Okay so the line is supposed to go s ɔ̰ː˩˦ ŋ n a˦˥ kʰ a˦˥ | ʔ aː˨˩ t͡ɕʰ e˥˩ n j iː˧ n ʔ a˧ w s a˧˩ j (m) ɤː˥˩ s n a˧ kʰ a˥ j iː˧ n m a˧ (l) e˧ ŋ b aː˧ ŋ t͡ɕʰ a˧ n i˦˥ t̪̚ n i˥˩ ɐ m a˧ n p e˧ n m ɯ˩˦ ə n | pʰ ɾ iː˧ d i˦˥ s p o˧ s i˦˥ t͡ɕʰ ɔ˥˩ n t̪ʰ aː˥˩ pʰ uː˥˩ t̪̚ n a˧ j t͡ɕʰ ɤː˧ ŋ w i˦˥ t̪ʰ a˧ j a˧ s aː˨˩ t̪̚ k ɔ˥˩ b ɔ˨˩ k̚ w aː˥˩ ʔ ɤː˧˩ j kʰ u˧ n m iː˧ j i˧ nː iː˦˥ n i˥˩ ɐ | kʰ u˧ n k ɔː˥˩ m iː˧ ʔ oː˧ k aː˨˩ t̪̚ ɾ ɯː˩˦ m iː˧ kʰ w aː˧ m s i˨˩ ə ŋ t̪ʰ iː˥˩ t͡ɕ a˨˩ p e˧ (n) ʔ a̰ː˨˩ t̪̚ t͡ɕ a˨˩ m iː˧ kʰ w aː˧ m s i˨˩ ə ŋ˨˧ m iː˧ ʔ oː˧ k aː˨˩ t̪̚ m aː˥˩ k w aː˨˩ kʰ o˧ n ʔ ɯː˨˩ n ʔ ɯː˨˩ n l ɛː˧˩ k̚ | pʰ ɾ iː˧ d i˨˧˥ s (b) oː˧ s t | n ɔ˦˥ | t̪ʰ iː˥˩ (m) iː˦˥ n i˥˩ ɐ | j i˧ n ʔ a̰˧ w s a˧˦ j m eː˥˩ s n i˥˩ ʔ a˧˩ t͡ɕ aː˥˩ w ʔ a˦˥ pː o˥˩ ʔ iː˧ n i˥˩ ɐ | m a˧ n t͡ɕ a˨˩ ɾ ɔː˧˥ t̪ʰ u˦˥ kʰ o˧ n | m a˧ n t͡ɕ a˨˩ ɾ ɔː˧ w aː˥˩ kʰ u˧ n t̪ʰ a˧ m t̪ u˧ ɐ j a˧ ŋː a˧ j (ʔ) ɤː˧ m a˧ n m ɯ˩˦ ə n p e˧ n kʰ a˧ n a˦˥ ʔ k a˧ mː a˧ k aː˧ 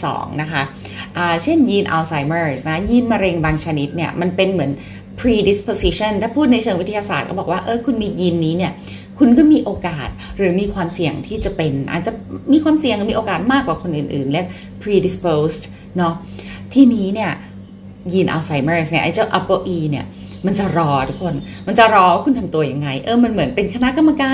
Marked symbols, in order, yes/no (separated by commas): yes, no, yes, no, no, yes